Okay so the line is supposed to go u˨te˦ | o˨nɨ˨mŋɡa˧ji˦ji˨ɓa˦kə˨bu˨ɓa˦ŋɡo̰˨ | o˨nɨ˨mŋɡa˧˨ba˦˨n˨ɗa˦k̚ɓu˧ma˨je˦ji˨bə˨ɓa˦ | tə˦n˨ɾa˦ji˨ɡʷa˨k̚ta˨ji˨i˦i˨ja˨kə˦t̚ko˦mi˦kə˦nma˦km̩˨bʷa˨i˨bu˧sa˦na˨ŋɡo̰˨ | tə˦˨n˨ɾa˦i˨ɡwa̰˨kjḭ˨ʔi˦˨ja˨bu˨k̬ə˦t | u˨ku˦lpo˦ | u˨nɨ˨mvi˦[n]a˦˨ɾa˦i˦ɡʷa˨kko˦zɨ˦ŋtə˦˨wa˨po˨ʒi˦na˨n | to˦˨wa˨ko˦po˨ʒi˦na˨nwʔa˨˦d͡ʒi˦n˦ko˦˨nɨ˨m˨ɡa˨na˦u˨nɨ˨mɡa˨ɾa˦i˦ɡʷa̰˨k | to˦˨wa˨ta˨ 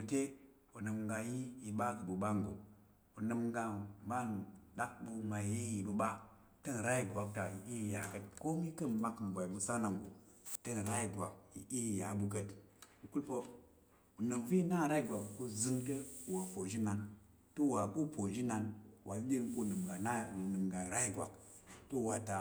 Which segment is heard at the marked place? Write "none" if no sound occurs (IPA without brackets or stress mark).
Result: n